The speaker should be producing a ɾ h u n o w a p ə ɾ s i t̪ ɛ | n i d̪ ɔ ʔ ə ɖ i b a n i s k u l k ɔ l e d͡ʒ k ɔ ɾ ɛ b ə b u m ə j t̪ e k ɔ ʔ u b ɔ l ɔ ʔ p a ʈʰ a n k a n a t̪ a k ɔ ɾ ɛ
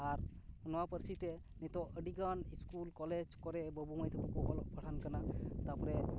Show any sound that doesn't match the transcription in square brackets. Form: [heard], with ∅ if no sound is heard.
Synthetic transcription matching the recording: a ɾ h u n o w a p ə ɾ s i t̪ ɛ | n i [t̪] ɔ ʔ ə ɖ i [ɡ] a n i s k u l k ɔ l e d͡ʒ k ɔ ɾ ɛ b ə b u m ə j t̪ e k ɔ [k] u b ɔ l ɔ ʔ p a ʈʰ a n k a n a t̪ a [p] ɔ ɾ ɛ